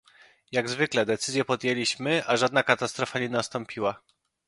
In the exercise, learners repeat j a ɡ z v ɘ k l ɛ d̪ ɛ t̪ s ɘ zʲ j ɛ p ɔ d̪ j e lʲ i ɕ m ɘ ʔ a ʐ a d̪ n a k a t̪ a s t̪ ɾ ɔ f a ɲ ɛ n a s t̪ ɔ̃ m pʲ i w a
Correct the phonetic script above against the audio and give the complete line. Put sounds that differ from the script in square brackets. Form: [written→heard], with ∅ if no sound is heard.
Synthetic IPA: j a ɡ z v ɘ k l ɛ d̪ ɛ t̪ s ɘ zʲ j ɛ p ɔ d̪ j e lʲ i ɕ m ɘ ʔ a ʐ a d̪ n a k a t̪ a s t̪ ɾ ɔ f a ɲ ɛ n a s t̪ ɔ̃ m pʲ i w a